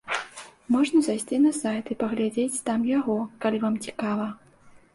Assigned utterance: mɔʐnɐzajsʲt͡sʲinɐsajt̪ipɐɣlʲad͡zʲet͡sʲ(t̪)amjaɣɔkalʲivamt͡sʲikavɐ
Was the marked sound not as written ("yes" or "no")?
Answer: no